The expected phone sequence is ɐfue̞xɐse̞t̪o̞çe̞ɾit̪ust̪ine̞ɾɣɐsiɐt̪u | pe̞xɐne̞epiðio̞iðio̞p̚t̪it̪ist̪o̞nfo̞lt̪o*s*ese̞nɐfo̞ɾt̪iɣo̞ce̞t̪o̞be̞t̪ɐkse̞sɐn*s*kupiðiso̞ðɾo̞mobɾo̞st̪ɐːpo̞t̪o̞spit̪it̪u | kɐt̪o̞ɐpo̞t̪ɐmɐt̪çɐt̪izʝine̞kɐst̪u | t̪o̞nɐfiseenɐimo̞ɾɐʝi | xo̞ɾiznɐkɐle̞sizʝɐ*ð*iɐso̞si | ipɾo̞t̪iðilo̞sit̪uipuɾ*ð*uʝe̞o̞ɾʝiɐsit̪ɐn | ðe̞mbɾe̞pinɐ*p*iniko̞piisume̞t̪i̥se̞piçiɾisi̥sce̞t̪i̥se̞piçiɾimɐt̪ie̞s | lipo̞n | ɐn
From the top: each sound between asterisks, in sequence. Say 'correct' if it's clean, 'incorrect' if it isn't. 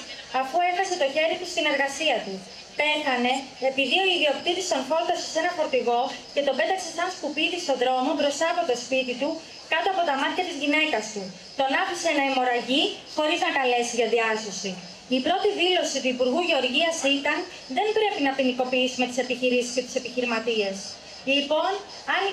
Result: correct, correct, correct, incorrect: ɣ, correct

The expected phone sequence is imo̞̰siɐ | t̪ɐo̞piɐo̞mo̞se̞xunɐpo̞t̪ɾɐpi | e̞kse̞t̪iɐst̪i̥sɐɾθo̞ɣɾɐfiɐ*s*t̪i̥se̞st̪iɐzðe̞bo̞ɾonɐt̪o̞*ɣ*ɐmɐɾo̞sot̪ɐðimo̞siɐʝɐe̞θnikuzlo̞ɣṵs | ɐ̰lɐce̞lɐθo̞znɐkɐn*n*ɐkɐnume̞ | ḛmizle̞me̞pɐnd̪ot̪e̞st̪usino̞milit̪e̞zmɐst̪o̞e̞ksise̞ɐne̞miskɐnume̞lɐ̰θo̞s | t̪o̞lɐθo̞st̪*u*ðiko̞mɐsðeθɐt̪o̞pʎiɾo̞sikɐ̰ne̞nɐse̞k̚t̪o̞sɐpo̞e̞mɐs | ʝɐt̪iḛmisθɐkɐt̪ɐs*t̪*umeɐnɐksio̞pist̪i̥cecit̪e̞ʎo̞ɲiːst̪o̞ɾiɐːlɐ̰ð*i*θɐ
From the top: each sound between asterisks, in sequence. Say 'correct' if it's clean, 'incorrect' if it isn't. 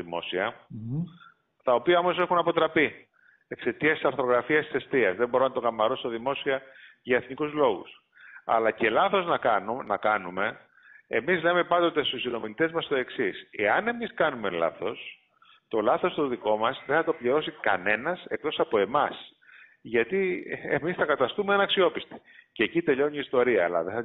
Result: correct, correct, correct, incorrect: o, correct, incorrect: e

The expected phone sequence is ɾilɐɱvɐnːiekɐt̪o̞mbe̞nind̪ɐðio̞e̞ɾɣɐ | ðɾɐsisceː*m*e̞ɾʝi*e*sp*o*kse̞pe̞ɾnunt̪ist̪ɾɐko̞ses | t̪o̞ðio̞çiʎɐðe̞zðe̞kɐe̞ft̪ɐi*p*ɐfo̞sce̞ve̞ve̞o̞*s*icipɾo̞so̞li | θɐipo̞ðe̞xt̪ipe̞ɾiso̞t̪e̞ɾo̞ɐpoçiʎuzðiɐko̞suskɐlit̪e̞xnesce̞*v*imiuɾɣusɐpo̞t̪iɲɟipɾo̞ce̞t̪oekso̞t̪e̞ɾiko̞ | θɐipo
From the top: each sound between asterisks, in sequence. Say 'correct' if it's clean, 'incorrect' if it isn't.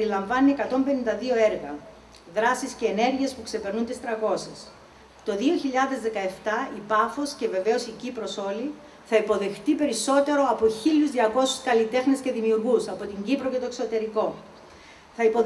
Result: incorrect: n, correct, incorrect: u, correct, correct, incorrect: ð

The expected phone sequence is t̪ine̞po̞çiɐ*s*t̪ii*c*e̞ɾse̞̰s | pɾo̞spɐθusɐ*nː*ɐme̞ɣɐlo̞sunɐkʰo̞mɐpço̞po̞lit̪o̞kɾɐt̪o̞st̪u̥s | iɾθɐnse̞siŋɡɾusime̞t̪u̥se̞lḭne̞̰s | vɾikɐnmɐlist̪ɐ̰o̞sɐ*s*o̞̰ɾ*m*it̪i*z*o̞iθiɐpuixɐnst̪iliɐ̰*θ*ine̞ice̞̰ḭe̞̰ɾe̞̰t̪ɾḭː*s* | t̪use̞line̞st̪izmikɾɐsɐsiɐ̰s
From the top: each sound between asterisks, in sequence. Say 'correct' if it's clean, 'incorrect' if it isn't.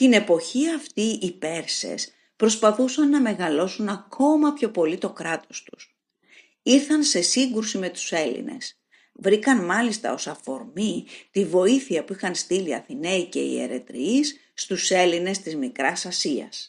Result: incorrect: f, incorrect: p, correct, incorrect: f, correct, incorrect: v, correct, incorrect: sː

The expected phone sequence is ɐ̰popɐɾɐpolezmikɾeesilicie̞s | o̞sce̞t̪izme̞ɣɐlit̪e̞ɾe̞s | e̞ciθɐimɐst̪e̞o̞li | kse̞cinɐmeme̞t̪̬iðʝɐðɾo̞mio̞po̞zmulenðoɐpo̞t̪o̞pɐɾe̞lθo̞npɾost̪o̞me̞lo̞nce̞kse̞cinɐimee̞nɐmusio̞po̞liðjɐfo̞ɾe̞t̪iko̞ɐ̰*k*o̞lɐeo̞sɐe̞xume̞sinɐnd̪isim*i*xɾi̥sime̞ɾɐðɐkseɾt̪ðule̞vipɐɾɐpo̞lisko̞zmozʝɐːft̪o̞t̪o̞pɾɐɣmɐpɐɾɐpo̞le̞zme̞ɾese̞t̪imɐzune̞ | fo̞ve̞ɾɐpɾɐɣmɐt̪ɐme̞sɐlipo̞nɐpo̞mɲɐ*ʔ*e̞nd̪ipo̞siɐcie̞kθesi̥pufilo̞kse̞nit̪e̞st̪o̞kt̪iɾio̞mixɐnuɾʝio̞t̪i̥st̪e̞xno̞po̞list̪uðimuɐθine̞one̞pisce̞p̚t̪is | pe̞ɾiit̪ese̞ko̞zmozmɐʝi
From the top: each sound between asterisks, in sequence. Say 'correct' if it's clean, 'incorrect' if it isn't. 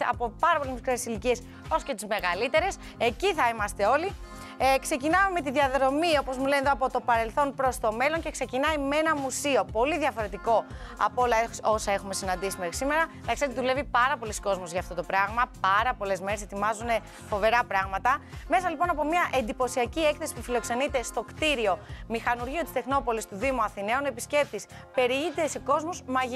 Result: incorrect: p, incorrect: e, correct

